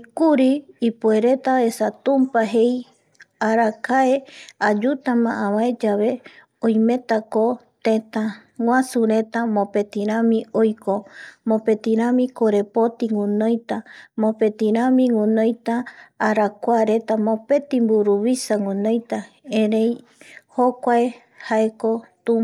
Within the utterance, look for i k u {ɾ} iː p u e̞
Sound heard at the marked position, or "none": ɾ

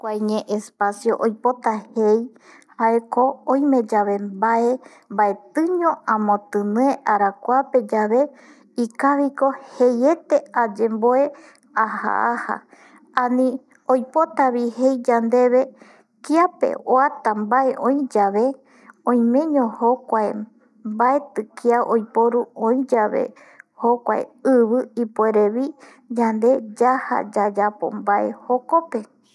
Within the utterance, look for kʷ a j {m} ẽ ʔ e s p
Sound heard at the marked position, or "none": ɲ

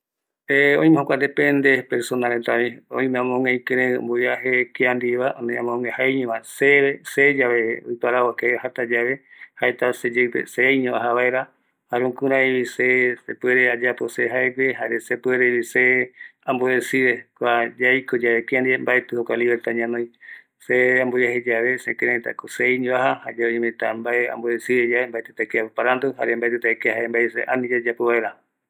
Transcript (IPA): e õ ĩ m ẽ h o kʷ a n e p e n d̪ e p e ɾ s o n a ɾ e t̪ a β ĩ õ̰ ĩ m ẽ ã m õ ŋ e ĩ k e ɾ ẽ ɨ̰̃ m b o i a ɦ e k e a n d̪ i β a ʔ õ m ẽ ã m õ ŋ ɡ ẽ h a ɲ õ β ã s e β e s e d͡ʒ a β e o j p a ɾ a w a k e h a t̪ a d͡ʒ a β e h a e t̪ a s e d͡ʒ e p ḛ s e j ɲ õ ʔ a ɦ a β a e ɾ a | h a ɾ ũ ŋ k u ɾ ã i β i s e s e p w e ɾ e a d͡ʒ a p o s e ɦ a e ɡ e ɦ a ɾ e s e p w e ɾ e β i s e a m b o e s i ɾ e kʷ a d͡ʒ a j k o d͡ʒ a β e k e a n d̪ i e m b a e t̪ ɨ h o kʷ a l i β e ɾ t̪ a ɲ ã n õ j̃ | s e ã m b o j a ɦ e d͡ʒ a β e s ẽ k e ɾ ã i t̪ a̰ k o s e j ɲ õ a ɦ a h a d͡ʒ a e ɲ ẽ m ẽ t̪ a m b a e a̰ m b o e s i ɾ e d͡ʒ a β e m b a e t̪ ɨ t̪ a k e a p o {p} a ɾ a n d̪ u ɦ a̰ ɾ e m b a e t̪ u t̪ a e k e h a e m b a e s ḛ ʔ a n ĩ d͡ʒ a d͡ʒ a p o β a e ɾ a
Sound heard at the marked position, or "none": p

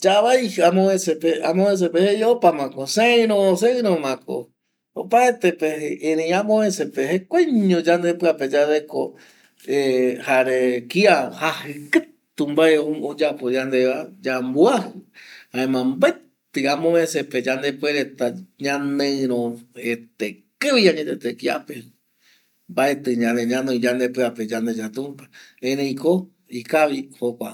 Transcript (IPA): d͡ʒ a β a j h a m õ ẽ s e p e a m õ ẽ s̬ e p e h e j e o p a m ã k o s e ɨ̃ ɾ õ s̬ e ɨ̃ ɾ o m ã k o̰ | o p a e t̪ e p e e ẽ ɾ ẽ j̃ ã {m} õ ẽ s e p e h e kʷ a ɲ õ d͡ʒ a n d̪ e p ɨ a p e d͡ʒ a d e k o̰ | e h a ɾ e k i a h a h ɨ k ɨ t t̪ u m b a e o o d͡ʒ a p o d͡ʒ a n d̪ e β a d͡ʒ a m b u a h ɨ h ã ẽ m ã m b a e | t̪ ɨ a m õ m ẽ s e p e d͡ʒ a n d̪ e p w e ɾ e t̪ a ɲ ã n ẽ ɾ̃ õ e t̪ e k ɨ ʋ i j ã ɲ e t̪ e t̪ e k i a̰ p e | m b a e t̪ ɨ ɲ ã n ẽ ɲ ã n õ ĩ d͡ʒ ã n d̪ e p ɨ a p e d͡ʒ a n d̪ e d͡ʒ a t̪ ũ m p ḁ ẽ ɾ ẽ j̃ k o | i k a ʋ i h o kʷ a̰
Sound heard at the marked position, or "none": m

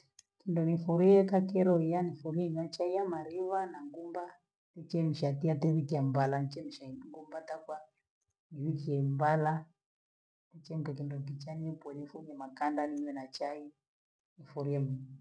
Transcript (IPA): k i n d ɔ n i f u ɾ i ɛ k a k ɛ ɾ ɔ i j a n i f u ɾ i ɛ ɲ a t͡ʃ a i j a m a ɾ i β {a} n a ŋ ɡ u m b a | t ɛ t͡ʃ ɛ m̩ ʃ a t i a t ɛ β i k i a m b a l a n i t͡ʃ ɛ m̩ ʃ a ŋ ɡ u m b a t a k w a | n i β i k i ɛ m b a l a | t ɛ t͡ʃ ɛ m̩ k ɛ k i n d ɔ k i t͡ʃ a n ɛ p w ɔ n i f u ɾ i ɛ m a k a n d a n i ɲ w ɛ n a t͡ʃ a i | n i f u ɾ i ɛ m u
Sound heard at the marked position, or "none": a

